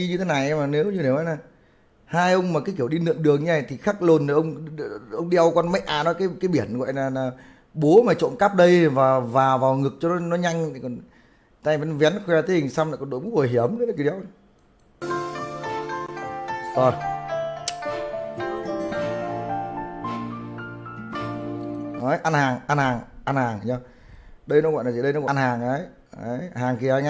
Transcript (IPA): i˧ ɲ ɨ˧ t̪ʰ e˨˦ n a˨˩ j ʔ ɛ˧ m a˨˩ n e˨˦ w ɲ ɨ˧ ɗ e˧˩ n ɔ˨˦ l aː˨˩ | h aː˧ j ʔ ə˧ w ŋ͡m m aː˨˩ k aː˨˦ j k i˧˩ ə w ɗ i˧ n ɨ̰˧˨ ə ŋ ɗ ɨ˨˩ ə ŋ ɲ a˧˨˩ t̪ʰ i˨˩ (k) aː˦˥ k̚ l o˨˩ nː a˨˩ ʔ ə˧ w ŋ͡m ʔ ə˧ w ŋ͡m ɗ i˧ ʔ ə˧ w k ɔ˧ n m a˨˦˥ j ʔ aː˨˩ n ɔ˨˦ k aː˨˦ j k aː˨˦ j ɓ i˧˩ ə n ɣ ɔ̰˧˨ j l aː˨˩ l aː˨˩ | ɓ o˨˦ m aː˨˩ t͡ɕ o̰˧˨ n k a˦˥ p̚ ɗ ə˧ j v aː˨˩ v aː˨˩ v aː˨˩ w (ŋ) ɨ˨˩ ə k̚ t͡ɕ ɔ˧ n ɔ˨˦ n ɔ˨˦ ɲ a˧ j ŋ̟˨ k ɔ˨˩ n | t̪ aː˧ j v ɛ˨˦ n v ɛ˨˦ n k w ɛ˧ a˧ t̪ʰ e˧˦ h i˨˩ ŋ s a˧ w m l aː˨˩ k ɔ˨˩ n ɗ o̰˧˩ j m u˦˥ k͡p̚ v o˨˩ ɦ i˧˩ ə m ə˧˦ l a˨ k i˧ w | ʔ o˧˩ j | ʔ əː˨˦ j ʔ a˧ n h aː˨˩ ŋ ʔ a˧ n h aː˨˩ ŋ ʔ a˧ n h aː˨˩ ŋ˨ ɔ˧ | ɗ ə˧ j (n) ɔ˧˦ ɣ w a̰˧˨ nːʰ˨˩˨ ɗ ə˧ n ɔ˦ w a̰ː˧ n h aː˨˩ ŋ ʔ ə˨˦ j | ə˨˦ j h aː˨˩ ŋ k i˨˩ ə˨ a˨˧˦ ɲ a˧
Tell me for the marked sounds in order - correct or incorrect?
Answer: incorrect, correct, correct

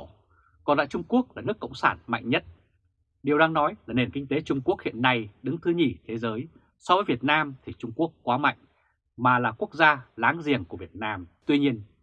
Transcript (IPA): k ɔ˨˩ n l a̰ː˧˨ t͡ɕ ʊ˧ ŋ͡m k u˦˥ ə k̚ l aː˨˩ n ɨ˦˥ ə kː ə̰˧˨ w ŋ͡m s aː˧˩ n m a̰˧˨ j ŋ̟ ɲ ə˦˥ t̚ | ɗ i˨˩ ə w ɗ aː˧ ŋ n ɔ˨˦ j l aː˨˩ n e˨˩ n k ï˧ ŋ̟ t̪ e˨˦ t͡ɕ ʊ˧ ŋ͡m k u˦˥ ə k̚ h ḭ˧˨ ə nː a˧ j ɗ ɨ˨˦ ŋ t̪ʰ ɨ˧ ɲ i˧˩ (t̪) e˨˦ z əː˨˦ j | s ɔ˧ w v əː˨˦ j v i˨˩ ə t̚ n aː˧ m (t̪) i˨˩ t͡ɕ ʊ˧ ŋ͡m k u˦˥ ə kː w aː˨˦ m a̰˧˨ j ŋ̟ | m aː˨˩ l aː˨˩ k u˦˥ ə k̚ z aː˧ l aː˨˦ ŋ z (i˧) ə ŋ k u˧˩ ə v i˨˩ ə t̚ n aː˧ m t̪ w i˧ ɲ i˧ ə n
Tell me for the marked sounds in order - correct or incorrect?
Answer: incorrect, incorrect, incorrect

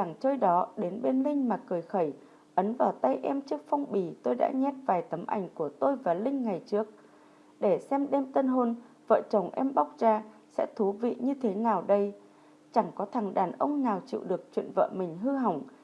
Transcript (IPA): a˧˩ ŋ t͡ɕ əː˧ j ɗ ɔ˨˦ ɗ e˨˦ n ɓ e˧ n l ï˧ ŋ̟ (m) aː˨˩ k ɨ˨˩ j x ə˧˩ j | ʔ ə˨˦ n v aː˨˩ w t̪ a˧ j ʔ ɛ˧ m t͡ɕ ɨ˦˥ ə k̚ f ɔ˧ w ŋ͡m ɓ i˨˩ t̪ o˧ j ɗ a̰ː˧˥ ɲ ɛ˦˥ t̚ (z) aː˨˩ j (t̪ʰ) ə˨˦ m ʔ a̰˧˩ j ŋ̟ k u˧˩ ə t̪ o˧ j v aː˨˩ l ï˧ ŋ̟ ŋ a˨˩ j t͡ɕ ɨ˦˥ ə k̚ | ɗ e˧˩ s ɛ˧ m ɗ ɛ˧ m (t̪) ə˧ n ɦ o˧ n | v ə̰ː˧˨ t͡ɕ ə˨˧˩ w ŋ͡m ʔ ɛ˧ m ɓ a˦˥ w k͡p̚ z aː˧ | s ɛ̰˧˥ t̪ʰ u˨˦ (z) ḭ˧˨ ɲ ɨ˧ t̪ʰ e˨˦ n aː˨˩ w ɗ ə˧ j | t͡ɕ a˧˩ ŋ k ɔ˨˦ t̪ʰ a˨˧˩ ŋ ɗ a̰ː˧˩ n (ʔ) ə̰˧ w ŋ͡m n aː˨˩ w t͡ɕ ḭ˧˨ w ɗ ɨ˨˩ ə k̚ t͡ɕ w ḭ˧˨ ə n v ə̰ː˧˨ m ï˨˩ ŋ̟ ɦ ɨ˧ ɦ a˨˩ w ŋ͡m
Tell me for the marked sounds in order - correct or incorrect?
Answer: correct, incorrect, incorrect, correct, incorrect, correct

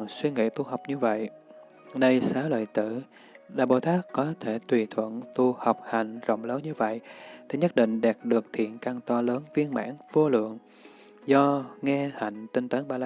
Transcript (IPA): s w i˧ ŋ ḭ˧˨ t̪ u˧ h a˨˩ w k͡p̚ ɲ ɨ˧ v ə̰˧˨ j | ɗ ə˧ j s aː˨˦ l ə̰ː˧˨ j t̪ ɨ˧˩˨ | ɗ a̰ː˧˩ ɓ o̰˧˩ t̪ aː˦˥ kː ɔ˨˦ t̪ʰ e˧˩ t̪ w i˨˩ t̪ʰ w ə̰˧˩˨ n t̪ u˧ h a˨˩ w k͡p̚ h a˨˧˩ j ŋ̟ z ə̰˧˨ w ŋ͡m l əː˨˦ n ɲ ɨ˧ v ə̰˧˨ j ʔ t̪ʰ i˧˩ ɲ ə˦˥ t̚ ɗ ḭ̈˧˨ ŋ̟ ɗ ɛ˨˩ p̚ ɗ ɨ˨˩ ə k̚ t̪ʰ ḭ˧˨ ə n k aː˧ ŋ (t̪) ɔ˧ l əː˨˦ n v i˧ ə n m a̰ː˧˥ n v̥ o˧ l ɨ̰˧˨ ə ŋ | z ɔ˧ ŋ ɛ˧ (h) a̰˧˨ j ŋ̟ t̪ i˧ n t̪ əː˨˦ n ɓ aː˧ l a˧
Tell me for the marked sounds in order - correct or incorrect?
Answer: correct, correct

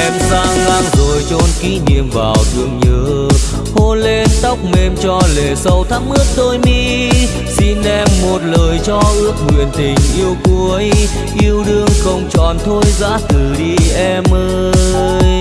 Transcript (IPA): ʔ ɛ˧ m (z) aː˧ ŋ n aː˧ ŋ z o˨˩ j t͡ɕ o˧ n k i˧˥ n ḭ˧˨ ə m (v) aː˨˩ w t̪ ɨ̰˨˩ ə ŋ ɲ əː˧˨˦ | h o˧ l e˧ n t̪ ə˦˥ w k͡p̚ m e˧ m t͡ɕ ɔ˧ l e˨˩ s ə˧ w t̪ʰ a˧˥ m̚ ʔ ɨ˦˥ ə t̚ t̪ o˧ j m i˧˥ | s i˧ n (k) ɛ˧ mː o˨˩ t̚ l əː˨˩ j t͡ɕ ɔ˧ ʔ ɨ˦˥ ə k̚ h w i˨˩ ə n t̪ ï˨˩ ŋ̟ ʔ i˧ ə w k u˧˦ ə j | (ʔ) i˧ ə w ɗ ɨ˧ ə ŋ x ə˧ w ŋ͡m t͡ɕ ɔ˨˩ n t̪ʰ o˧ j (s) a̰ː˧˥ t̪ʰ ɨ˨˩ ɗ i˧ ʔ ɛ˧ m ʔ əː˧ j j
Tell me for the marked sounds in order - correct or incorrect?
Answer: correct, correct, incorrect, correct, incorrect

